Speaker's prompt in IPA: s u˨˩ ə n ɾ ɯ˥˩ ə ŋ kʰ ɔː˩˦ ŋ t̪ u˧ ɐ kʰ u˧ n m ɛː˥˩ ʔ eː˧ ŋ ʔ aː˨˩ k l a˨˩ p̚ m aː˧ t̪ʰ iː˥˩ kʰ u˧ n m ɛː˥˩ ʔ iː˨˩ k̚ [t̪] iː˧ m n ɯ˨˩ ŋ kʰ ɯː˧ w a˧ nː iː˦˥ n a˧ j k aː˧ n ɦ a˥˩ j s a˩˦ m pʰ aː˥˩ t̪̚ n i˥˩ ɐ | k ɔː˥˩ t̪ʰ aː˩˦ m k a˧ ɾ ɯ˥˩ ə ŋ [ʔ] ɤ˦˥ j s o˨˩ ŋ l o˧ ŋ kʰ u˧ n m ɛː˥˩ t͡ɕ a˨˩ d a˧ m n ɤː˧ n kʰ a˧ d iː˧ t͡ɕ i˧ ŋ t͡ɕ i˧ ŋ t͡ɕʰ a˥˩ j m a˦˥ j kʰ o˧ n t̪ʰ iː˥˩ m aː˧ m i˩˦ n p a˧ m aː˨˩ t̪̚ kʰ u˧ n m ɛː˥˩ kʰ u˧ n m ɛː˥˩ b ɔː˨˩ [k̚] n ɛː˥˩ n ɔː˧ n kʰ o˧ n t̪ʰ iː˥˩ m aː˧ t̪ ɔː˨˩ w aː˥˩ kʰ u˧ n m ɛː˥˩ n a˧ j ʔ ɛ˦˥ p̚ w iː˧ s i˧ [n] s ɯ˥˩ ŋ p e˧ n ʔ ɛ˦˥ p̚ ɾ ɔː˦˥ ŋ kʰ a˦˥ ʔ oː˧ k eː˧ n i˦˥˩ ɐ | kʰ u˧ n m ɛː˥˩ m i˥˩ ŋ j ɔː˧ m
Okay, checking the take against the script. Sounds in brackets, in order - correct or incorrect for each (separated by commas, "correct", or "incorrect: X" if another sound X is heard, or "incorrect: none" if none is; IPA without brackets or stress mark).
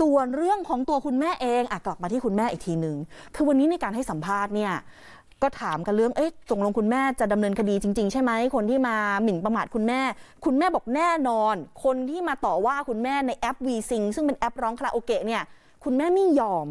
incorrect: t̪ʰ, correct, correct, incorrect: ŋ